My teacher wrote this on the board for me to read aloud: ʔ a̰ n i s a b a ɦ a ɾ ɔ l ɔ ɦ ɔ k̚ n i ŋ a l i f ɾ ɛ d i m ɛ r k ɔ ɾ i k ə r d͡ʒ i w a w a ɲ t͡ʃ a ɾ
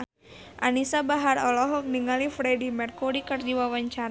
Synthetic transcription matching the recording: ʔ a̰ n i s a b a ɦ a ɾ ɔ l ɔ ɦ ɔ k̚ n i ŋ a l i f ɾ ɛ d i m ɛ r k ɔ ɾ i k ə r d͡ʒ i w a w a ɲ t͡ʃ a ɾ